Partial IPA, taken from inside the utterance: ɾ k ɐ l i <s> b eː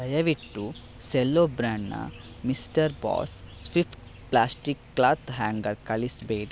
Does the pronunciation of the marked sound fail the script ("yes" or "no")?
no